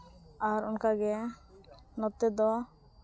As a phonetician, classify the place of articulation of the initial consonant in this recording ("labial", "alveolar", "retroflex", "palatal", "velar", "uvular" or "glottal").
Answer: alveolar